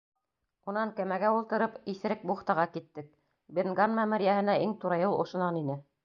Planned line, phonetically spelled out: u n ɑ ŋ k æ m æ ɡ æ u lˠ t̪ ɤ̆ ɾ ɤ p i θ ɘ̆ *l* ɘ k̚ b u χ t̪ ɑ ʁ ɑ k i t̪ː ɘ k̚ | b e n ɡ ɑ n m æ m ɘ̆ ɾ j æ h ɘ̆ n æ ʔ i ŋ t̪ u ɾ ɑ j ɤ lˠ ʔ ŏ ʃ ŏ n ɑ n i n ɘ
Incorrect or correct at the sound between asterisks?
incorrect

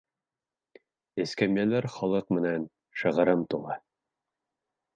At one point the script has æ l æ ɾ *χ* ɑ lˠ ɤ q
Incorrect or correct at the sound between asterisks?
correct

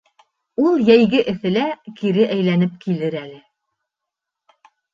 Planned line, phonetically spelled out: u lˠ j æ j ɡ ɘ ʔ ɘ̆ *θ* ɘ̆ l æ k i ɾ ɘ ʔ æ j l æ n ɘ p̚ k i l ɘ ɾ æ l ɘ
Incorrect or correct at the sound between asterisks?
correct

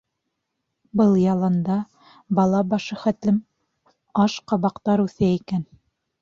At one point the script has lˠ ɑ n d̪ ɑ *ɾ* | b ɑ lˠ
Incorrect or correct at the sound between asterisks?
incorrect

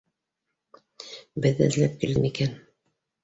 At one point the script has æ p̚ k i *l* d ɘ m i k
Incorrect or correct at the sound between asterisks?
correct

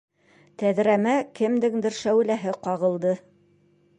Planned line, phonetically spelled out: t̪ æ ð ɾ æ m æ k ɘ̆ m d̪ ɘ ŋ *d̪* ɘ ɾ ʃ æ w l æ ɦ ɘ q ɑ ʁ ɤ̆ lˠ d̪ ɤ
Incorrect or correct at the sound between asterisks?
correct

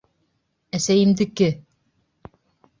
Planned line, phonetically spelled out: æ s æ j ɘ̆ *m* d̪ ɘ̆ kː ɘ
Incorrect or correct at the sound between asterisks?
correct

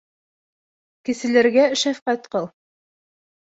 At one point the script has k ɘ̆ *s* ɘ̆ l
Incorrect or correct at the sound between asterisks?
correct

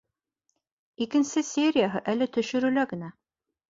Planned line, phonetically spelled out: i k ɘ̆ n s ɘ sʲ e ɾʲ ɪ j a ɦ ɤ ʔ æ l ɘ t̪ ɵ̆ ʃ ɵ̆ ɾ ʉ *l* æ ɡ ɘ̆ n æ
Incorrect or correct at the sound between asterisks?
correct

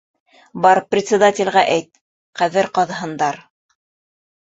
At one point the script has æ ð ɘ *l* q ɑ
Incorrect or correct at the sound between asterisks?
incorrect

